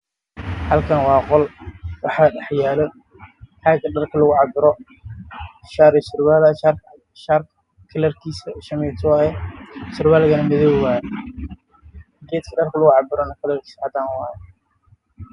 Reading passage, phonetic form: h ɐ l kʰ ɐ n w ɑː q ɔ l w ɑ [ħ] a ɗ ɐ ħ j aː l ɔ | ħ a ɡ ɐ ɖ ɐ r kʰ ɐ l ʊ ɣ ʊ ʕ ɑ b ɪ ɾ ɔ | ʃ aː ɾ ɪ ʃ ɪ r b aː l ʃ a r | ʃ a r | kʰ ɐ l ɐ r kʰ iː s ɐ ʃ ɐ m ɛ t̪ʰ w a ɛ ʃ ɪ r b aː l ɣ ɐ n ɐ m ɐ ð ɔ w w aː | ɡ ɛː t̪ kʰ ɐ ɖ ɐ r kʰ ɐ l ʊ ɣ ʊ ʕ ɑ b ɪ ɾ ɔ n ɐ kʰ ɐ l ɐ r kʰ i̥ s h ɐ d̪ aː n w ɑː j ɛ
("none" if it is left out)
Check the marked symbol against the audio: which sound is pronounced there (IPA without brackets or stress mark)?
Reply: ħ